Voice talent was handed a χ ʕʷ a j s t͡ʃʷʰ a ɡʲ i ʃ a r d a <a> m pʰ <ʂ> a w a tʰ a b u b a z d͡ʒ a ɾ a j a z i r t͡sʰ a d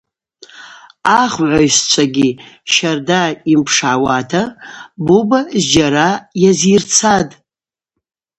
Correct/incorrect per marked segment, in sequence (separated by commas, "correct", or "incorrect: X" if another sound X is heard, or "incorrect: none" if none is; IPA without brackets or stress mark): incorrect: i, correct